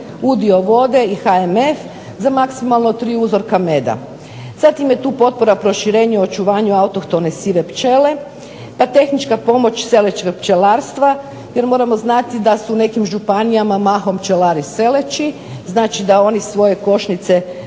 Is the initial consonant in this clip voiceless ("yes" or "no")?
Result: no